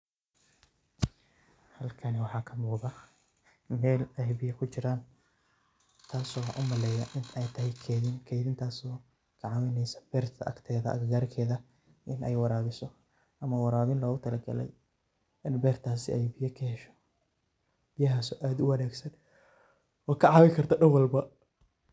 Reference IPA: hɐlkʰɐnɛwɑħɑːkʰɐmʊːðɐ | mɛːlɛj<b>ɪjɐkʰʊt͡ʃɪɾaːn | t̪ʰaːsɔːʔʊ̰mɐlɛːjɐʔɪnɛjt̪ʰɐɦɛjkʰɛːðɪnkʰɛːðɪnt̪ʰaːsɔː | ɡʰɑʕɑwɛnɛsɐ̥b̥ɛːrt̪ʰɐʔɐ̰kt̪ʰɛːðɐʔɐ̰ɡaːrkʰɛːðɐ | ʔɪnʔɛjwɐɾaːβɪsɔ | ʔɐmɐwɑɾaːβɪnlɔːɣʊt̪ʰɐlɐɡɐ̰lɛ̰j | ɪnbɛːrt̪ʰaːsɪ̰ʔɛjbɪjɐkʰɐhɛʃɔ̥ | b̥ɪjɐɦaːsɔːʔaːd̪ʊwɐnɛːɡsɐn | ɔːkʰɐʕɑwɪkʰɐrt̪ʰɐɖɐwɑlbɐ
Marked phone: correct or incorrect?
correct